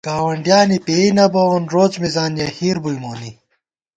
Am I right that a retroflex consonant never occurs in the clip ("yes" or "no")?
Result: no